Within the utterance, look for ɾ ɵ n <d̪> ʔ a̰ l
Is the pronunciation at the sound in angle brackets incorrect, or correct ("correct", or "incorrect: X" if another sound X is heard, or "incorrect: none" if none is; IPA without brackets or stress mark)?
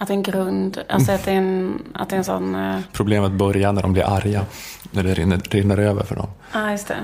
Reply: correct